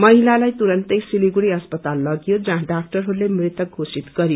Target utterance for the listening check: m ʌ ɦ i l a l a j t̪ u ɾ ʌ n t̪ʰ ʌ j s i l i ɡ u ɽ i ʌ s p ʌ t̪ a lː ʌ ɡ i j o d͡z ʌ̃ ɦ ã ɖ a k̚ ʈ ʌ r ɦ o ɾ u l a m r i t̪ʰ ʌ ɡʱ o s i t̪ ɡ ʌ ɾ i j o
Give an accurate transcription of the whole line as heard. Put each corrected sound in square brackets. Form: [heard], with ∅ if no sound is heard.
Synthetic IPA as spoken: m ʌ ɦ i l a l a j t̪ u ɾ ʌ n [t̪] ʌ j s i l i ɡ u ɽ i ʌ s p ʌ t̪ a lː ʌ ɡ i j o d͡z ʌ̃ ɦ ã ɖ a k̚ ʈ ʌ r ɦ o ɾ u l [e] m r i [t̪] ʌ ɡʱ o s i t̪ ɡ ʌ ɾ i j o